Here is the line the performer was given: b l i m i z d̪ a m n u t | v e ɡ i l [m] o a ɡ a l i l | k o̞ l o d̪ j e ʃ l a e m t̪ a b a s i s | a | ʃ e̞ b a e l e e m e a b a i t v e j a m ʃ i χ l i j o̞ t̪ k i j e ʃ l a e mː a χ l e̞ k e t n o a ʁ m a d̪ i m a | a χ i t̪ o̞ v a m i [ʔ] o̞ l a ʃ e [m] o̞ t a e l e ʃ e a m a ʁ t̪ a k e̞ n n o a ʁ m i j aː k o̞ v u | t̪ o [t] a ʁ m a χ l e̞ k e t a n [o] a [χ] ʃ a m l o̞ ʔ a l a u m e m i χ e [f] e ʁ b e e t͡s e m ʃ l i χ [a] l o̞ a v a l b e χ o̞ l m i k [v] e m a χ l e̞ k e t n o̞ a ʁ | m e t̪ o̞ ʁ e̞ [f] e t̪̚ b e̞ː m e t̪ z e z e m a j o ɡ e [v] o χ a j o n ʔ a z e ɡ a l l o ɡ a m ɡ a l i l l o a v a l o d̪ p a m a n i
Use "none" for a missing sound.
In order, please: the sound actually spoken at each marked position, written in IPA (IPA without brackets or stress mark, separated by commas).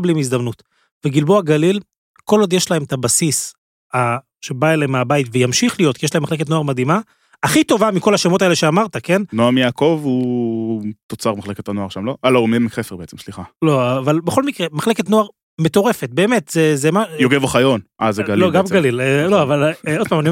b, k, m, t͡s, o, ʁ, f, a, ʁ, f, v